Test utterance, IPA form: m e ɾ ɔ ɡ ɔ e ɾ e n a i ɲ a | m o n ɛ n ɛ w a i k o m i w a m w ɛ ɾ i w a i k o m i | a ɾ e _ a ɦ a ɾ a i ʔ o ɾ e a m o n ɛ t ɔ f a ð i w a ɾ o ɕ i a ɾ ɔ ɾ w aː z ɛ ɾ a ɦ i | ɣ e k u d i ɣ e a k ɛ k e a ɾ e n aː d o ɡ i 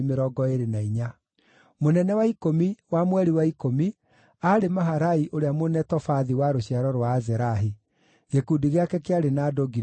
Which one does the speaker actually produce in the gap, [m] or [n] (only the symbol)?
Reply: m